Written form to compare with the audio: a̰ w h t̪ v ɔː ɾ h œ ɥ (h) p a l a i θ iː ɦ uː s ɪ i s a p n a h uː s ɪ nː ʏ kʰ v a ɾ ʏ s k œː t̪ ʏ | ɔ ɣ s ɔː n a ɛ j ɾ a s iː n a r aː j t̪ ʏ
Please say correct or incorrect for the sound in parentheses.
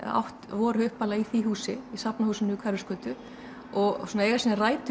correct